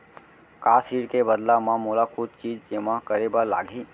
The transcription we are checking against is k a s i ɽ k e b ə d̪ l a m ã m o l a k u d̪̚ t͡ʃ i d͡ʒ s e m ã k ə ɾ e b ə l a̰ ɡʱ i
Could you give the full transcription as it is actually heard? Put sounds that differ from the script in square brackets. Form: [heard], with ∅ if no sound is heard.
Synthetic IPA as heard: k a s i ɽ k e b ə d̪ l a m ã m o l a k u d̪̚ t͡ʃ i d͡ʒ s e m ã k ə ɾ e b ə l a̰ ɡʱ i